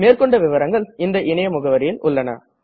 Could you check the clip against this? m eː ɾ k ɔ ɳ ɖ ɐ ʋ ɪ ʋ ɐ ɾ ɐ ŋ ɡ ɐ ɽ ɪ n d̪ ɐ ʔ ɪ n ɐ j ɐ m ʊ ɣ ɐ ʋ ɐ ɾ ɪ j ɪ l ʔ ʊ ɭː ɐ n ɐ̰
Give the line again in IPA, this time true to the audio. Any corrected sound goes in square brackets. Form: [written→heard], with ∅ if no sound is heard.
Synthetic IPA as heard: m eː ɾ k ɔ ɳ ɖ ɐ ʋ ɪ ʋ ɐ ɾ ɐ ŋ ɡ ɐ [ɽ→ɭ] ɪ n d̪ ɐ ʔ ɪ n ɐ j ɐ m ʊ ɣ ɐ ʋ ɐ ɾ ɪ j ɪ l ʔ ʊ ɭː ɐ n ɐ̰